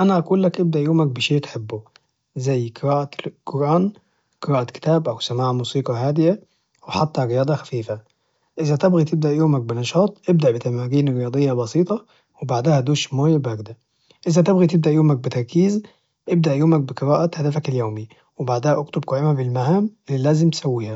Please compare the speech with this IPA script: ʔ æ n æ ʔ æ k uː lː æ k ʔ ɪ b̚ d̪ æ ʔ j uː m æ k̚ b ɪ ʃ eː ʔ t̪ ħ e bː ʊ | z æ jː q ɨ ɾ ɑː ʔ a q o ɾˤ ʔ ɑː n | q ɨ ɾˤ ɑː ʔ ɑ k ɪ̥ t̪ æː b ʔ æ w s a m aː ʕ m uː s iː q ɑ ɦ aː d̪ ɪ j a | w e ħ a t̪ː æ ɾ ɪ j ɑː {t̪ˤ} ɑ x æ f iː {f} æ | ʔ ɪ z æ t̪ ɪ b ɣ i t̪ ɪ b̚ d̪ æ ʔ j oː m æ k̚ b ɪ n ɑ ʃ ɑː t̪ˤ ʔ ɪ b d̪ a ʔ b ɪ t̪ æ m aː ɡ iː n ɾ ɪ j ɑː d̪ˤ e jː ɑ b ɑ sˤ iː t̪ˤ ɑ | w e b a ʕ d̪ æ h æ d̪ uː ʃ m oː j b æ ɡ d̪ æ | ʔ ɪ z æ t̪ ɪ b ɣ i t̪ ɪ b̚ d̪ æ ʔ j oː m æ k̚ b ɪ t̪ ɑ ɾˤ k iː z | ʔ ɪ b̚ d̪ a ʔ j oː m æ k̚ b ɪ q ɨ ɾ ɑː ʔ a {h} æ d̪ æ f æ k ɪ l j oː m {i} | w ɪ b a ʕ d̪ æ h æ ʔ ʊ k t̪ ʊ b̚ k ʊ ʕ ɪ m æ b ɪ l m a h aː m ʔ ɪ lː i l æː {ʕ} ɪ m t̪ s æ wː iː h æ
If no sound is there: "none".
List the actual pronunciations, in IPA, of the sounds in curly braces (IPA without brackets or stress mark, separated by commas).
d̪ˤ, f, h, i, z